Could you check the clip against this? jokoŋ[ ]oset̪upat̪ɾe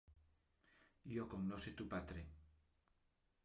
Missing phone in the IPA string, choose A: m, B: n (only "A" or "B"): B